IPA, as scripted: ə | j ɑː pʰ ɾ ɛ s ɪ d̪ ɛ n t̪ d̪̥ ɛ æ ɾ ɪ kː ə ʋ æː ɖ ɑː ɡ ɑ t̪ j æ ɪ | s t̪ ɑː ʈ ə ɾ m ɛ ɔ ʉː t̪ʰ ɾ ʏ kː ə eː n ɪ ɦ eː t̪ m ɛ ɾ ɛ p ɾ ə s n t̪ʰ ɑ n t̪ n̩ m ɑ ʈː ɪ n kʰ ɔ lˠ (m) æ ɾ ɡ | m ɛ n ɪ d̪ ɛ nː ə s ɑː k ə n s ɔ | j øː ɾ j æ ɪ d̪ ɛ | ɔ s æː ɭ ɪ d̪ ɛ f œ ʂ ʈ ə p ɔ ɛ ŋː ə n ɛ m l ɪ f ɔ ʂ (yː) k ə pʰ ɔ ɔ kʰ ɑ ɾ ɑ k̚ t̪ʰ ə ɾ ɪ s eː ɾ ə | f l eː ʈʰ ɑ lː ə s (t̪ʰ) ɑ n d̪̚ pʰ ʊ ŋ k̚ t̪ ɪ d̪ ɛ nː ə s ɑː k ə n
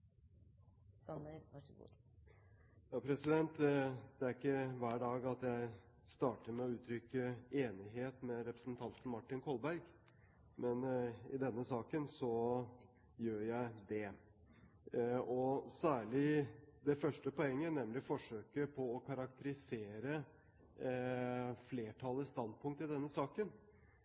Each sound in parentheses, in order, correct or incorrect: incorrect, incorrect, incorrect

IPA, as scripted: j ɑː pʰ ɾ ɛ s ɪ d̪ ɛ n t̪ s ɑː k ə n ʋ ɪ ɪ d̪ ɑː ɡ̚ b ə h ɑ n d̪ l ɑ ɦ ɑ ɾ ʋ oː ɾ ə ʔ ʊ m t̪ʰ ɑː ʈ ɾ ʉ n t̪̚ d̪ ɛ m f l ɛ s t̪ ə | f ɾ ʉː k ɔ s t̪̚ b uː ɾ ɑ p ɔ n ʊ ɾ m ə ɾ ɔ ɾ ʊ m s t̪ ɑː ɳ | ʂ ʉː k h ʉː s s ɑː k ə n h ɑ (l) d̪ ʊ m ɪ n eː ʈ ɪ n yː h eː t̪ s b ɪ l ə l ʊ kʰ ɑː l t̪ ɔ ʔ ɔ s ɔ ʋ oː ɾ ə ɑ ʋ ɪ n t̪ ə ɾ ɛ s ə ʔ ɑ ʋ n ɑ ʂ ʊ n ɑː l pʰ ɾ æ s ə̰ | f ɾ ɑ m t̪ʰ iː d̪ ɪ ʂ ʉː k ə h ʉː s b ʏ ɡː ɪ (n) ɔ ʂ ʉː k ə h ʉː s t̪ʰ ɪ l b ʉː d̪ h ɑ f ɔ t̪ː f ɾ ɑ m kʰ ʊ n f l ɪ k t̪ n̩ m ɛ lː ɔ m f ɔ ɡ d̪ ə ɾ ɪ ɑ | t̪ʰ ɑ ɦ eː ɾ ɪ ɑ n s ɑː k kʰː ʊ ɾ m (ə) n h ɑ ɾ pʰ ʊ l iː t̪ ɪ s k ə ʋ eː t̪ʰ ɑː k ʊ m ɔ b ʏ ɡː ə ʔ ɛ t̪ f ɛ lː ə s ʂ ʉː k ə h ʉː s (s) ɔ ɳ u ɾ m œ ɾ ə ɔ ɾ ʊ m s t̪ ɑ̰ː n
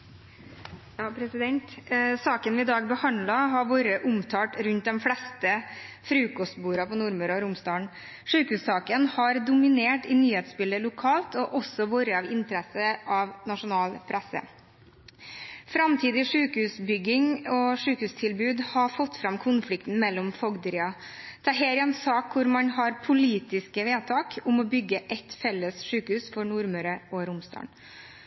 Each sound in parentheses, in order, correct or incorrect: incorrect, incorrect, incorrect, incorrect

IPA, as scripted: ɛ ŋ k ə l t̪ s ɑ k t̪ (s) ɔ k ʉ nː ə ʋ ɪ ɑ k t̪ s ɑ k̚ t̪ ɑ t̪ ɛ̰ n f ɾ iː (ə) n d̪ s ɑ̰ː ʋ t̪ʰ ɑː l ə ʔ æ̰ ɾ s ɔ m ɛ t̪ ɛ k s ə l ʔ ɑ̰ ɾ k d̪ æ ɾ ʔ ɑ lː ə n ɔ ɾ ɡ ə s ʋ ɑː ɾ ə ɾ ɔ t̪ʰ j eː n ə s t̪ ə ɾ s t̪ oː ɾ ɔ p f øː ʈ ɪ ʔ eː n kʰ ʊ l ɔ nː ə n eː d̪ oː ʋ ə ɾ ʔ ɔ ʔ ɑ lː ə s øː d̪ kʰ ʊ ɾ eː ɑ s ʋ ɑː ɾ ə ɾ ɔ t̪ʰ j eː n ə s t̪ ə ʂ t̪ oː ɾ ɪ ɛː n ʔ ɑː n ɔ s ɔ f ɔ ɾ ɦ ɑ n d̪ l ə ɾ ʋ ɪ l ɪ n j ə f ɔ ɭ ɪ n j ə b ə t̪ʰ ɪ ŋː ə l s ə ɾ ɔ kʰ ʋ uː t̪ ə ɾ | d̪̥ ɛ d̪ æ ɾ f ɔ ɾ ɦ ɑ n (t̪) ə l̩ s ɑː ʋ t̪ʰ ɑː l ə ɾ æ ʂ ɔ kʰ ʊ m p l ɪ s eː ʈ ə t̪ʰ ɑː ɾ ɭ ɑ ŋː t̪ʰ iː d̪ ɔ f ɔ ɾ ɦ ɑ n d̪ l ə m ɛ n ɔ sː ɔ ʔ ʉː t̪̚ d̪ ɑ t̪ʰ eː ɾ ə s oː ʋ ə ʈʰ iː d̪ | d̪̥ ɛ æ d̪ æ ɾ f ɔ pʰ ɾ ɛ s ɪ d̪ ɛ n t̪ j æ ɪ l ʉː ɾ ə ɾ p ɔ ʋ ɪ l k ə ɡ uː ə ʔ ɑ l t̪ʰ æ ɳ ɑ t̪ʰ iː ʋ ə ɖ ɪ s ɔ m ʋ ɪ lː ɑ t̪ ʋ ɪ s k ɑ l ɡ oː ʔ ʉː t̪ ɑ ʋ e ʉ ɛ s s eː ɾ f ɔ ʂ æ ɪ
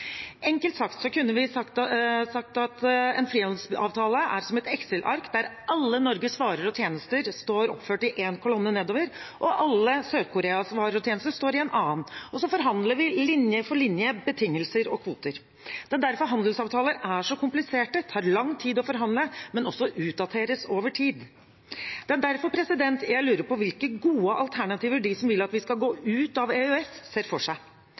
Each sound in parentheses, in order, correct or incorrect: correct, incorrect, incorrect

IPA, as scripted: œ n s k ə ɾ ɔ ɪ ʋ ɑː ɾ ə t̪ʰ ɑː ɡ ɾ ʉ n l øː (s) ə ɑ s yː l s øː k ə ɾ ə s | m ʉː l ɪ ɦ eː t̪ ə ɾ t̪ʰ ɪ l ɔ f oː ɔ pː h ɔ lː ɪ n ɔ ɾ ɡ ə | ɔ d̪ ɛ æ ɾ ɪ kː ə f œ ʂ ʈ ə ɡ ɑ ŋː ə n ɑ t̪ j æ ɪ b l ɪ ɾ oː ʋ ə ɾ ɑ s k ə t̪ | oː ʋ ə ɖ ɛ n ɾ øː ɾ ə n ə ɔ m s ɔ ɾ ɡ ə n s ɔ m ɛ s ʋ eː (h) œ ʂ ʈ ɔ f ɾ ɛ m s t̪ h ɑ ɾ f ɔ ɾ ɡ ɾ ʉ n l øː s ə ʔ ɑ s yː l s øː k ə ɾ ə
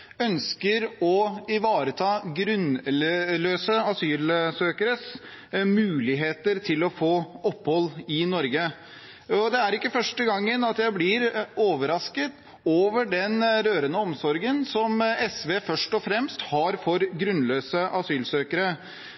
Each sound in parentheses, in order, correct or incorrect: correct, incorrect

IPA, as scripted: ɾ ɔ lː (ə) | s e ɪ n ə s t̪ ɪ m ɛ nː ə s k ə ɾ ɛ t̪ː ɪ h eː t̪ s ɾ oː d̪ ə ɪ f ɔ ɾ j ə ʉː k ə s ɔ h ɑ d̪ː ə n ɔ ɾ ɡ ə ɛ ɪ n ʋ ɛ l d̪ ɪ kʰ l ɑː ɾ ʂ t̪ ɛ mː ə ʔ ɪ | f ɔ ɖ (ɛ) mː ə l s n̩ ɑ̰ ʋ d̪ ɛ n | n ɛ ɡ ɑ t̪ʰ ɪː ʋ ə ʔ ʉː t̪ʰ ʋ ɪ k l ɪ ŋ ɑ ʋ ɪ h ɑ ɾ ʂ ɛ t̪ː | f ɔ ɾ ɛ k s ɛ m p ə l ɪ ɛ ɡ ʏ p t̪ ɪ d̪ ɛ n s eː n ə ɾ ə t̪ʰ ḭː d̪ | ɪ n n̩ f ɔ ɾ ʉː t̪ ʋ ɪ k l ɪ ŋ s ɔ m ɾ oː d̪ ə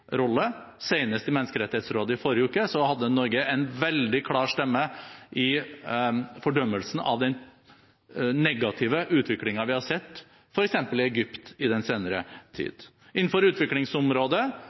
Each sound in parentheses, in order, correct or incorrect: correct, incorrect

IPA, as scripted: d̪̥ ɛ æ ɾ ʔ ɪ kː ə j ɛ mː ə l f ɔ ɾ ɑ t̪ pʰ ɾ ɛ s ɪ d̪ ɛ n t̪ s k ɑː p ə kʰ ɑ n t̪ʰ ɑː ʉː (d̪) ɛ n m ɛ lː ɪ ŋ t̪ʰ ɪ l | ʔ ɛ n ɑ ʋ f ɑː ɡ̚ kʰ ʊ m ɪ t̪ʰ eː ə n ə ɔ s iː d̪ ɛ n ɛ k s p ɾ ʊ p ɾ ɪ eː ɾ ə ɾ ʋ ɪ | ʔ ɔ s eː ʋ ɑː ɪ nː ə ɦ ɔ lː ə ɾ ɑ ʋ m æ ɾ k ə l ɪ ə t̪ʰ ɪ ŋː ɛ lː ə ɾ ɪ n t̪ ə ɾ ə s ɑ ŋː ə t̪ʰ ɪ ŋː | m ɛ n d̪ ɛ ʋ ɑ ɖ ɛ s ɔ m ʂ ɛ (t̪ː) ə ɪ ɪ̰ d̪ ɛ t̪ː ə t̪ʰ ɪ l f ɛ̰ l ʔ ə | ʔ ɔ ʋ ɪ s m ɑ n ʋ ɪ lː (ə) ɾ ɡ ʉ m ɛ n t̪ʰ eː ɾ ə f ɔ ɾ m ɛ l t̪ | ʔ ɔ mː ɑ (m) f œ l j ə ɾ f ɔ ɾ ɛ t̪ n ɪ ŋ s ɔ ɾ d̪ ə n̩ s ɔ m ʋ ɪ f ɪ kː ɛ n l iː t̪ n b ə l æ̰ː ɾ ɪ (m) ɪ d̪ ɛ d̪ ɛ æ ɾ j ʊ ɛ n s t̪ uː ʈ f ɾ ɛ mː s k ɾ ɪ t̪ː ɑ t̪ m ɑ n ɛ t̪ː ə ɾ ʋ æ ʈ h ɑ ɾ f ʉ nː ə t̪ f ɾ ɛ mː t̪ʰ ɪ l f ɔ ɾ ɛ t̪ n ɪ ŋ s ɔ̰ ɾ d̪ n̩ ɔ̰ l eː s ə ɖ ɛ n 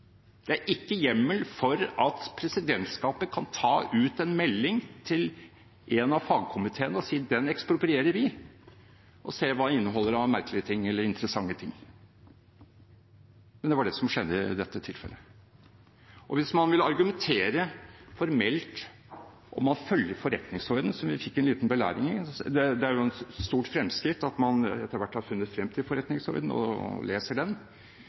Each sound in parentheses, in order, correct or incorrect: incorrect, incorrect, incorrect, incorrect, incorrect

